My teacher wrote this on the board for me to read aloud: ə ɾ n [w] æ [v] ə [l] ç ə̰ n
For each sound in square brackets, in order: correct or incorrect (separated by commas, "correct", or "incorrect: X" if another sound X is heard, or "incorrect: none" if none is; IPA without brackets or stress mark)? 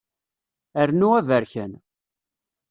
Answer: incorrect: u, correct, incorrect: ɾ